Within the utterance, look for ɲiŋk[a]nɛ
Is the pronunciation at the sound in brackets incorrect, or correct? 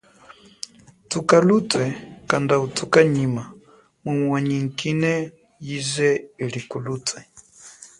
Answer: incorrect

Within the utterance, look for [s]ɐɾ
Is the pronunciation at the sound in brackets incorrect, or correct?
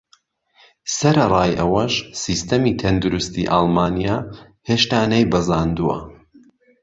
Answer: correct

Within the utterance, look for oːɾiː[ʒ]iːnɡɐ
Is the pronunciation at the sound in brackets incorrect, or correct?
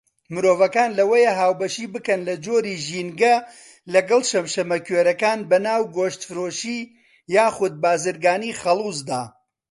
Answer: correct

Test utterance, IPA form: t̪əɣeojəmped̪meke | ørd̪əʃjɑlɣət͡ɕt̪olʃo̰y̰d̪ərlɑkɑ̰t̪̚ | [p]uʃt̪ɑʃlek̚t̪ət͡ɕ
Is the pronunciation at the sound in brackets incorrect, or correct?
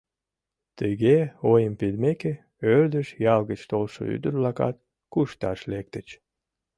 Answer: incorrect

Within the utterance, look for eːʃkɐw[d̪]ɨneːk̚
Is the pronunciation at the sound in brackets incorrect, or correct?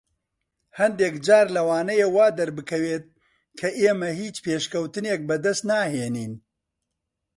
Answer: incorrect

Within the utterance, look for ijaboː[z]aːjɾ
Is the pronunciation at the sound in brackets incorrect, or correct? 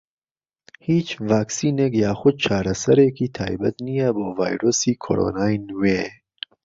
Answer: incorrect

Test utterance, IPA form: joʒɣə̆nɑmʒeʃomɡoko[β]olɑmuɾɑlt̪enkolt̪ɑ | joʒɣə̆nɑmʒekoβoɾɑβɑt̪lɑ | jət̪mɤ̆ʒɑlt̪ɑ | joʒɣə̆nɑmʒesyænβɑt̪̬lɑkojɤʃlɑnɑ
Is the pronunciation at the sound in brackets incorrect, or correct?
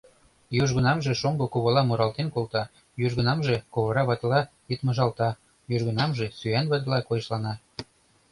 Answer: correct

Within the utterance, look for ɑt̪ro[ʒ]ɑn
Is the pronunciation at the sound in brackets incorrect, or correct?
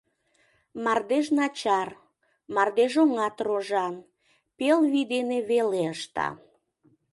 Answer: correct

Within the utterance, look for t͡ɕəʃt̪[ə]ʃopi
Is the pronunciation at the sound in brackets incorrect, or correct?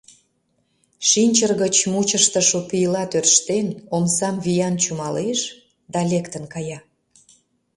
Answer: correct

